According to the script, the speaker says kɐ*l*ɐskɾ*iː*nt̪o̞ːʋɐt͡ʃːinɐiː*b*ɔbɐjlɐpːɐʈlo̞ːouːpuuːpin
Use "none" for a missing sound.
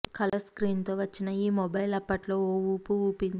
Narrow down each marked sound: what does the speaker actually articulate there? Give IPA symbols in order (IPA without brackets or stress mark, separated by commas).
l, iː, m